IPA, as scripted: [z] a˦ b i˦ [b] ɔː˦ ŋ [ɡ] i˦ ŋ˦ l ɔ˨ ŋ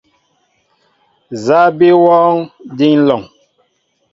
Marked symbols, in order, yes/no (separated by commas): yes, no, no